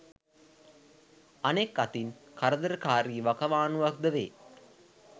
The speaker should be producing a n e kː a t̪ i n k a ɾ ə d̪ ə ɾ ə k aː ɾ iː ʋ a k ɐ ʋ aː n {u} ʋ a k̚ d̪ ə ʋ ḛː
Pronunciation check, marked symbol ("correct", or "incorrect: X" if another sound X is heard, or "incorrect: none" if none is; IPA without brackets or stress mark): correct